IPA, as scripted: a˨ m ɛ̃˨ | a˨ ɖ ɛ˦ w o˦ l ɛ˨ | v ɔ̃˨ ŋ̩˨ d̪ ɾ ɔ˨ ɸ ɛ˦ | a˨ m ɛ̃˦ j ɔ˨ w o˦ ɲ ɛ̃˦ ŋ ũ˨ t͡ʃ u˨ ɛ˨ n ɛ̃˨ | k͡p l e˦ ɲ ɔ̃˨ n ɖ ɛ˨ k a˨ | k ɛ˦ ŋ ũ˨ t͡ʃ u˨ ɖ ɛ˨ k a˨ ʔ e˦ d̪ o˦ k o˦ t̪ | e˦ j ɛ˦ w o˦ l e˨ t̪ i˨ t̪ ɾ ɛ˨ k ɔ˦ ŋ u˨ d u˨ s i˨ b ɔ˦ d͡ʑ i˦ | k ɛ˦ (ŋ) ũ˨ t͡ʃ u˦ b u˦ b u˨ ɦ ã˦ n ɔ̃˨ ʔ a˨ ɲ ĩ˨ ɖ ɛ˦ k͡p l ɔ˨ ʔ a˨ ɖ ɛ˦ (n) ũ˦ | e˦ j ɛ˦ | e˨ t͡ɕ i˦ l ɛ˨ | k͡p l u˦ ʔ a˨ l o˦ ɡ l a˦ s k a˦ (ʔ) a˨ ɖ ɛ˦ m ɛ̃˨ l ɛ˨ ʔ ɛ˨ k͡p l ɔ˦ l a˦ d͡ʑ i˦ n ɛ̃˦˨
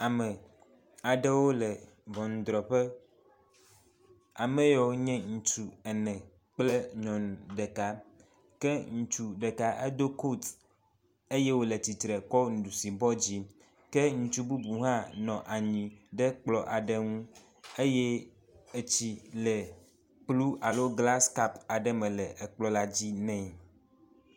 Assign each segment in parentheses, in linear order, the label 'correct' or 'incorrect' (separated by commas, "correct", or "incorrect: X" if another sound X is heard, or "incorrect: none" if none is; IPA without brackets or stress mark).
correct, incorrect: ŋ, incorrect: p